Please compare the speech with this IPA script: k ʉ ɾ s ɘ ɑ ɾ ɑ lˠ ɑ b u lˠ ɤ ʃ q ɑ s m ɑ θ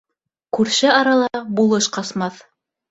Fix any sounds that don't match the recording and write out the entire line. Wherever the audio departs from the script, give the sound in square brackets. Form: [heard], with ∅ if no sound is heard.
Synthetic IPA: k ʉ ɾ [ʃ] ɘ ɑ ɾ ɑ lˠ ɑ b u lˠ ɤ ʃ q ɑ s m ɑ θ